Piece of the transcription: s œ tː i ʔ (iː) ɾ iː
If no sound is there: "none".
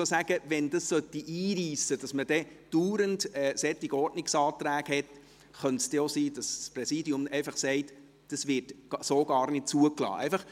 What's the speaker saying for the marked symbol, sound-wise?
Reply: iː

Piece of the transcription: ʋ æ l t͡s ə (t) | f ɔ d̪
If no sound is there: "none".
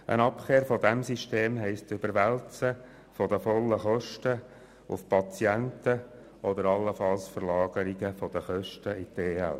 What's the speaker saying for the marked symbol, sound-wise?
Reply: none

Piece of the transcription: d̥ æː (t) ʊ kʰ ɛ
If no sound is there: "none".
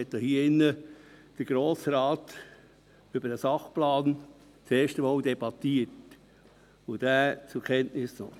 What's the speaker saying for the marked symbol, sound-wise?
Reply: t͡s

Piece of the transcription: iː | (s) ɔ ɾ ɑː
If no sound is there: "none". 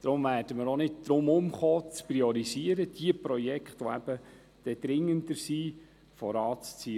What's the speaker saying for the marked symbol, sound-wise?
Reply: f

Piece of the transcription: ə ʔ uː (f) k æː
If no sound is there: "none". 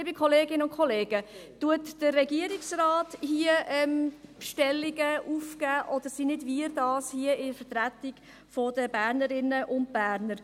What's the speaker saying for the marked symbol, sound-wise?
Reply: f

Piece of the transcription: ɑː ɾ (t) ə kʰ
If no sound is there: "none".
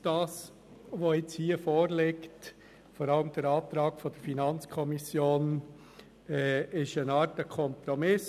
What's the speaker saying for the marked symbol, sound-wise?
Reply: t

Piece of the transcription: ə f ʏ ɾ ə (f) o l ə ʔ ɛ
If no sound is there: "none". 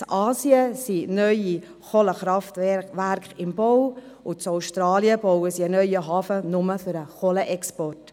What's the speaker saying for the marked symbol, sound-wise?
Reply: χ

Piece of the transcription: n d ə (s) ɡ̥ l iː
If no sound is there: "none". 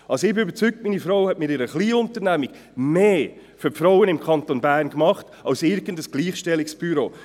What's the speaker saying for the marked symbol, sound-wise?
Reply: s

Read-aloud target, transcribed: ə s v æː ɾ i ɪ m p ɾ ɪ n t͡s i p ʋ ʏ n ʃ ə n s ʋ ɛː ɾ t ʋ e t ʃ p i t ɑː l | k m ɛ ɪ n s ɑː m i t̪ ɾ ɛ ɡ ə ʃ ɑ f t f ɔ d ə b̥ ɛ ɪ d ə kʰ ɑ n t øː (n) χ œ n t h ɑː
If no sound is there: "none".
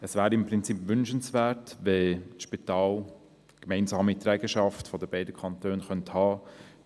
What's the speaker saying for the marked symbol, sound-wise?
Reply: n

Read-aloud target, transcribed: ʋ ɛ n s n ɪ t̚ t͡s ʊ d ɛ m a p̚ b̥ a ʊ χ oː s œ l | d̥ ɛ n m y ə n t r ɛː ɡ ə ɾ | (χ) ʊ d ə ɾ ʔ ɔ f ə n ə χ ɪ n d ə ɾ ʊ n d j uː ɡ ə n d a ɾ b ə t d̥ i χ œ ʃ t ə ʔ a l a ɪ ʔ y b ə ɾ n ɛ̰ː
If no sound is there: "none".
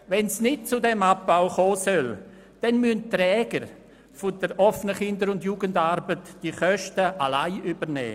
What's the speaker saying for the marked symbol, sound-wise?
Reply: f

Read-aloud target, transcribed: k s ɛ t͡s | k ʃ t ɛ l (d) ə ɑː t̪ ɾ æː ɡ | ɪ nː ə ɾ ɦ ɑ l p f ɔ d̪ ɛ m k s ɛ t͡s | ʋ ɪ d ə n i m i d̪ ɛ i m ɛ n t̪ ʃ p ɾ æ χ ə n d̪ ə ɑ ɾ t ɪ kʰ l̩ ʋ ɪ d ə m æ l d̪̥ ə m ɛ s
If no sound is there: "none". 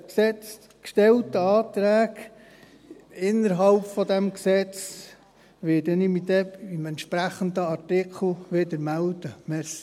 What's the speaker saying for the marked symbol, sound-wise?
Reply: t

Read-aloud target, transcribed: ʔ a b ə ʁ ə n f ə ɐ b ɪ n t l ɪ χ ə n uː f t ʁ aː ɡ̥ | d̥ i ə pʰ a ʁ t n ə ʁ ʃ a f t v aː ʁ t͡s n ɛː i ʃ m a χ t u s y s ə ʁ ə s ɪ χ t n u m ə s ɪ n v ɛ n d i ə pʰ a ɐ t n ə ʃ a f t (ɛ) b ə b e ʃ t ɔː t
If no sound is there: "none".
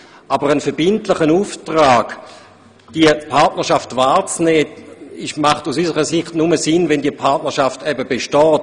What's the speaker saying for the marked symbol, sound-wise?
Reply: ɛ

